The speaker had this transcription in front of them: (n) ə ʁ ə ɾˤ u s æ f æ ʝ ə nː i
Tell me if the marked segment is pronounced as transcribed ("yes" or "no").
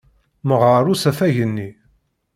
no